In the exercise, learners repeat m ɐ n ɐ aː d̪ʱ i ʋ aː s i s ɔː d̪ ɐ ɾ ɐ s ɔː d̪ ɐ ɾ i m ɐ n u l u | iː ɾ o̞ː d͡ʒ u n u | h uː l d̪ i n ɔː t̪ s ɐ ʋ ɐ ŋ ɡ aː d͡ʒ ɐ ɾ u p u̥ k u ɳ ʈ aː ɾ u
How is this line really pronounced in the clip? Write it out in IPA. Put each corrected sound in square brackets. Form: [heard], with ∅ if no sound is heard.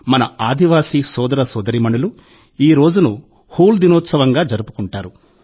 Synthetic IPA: m ɐ n ɐ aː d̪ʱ i ʋ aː s i s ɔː d̪ ɐ ɾ ɐ s ɔː d̪ ɐ ɾ i m ɐ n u l u | iː ɾ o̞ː d͡ʒ u n u | h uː l d̪ i n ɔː t̪ s ɐ ʋ ɐ ŋ ɡ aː d͡ʒ ɐ ɾ u p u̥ k u ɳ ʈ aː ɾ u